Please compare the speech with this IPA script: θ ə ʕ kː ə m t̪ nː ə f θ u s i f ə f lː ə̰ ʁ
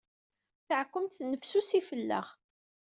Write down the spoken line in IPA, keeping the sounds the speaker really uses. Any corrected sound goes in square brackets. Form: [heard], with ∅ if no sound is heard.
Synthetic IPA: θ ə ʕ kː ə m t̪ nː ə f [s] u s i f ə [∅] lː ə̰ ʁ